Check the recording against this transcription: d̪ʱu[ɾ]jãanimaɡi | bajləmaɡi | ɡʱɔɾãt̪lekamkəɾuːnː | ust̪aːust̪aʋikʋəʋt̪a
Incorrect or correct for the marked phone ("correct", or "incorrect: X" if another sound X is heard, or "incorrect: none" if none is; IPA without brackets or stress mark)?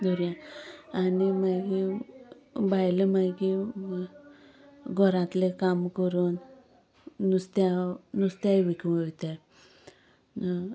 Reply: correct